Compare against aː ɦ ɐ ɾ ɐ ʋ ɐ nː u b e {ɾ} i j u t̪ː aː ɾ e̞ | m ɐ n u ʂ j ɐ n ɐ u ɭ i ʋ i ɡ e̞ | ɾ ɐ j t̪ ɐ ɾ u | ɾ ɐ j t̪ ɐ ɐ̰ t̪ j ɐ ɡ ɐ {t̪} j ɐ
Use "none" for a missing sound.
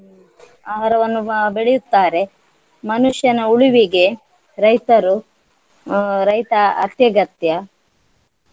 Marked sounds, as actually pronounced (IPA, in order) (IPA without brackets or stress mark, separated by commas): ɭ, t̪